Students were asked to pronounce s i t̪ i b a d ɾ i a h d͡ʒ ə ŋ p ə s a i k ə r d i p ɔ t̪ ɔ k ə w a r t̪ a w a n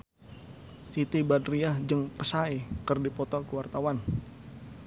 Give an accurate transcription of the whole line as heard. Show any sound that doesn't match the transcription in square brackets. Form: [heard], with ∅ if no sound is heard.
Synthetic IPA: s i t̪ i b a d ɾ i a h d͡ʒ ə ŋ p ə s a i k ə r d i p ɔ t̪ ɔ k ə w a r t̪ a w a n